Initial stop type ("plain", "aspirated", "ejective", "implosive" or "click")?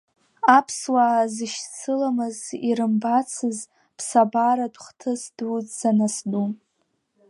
aspirated